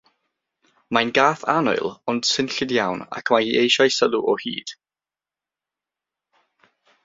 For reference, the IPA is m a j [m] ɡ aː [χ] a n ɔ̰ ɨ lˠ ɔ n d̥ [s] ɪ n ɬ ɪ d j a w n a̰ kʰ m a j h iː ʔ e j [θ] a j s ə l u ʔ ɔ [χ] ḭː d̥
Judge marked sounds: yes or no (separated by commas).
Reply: no, no, yes, no, no